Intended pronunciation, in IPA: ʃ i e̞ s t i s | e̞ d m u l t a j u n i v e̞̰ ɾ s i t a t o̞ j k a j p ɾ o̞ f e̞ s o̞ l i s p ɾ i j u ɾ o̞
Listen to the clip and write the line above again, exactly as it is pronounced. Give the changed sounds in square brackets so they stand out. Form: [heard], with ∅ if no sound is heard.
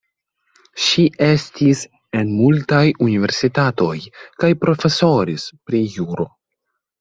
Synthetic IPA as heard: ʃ i e̞ s t i s | e̞ [n] m u l t a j u n i v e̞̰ ɾ s i t a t o̞ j k a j p ɾ o̞ f e̞ s o̞ [ɾ] i s p ɾ i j u ɾ o̞